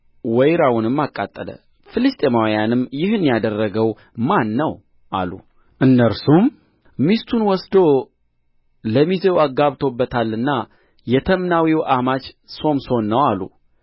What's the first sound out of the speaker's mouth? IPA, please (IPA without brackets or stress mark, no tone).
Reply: w